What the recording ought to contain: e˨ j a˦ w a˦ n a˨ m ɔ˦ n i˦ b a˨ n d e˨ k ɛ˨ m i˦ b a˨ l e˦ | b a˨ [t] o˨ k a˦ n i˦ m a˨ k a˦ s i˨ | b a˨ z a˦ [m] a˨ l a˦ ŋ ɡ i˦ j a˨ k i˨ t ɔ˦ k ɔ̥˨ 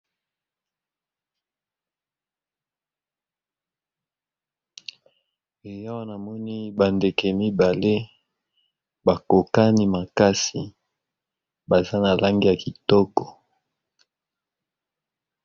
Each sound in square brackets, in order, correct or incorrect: incorrect, incorrect

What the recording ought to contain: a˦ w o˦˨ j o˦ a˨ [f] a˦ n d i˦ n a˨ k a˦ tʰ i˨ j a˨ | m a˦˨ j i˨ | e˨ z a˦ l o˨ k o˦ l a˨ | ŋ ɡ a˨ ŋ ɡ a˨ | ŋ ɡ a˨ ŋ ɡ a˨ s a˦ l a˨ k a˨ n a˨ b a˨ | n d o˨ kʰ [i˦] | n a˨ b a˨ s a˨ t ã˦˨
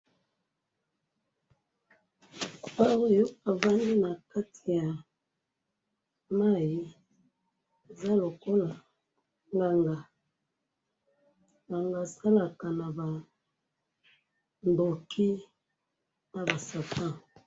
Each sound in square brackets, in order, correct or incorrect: incorrect, correct

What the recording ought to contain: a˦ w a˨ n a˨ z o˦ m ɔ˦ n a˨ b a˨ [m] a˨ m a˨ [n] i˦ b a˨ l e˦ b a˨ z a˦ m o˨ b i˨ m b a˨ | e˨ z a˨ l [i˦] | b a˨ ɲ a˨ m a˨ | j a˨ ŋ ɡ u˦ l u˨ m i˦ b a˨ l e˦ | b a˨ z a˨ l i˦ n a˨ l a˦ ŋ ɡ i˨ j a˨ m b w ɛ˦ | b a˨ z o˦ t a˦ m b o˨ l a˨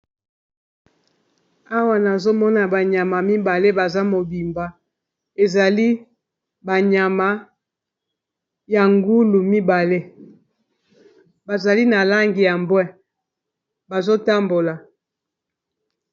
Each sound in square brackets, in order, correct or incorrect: incorrect, incorrect, correct

